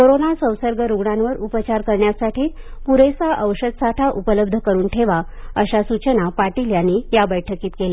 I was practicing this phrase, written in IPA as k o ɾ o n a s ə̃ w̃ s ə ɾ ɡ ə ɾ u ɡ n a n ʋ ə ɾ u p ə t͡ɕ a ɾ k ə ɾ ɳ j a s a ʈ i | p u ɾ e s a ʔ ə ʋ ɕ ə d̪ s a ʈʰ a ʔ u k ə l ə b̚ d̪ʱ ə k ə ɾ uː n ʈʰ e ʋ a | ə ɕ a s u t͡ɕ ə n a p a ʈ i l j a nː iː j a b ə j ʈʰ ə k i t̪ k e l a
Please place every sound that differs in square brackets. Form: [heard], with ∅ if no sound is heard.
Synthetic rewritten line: k o ɾ o n a s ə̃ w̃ s ə ɾ ɡ ə ɾ u ɡ [ɳ] a n ʋ ə ɾ u p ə t͡ɕ a ɾ k ə ɾ ɳ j a s a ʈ [iː] | p u ɾ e s a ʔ ə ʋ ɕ ə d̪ s a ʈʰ a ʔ u [p] ə l ə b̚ d̪ʱ ə k ə ɾ uː n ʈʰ e ʋ a | ə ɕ a s u t͡ɕ ə n a p a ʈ i l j a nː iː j a b ə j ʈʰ ə k [iː] t̪ k e l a